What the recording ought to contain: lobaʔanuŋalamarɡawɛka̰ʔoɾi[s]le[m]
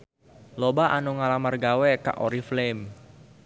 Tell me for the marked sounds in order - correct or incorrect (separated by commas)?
incorrect, correct